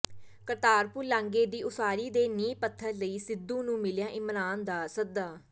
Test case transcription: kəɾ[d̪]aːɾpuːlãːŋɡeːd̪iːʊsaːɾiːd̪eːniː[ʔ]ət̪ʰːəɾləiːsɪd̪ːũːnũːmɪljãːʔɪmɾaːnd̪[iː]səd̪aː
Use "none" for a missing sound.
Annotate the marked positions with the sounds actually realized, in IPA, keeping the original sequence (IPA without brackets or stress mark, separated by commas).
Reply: t̪, p, aː